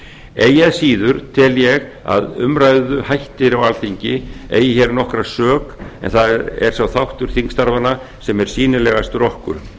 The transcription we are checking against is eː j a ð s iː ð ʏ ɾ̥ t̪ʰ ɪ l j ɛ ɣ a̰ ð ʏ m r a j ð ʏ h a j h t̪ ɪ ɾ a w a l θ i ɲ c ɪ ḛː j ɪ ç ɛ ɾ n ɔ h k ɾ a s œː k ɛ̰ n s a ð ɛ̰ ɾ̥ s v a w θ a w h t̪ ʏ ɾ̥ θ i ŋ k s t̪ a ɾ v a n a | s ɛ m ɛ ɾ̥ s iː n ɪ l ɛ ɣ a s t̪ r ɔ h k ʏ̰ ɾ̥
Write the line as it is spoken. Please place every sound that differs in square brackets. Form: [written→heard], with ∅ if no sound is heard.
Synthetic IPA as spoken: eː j a ð s iː ð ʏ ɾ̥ t̪ʰ ɪ l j ɛ ɣ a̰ ð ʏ m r a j ð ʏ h a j h t̪ ɪ ɾ a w a l θ i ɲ c ɪ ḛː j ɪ ç ɛ ɾ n ɔ h k ɾ a s œː k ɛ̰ n [s→θ] a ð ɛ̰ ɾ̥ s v a w θ a w h t̪ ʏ ɾ̥ θ i ŋ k s t̪ a ɾ v a n a | s ɛ m ɛ ɾ̥ s iː n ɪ l ɛ ɣ a s t̪ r ɔ h k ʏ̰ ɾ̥